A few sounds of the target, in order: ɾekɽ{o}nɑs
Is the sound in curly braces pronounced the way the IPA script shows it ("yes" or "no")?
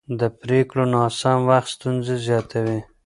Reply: yes